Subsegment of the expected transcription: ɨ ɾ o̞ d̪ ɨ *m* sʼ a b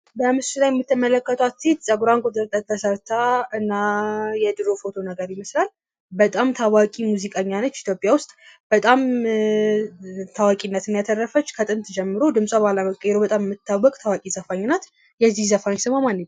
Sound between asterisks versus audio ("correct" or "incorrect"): correct